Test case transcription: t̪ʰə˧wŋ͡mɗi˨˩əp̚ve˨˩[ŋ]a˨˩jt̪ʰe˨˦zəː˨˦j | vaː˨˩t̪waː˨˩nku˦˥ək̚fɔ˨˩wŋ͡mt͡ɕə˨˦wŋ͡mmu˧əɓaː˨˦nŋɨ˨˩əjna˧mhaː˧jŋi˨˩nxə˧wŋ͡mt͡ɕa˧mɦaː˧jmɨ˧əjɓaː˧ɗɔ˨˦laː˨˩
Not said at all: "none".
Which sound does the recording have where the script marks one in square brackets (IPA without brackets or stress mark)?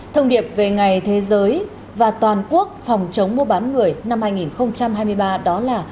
ŋ